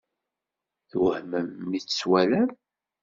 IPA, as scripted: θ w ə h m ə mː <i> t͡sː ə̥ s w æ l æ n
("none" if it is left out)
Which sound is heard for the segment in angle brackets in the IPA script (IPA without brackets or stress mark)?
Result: i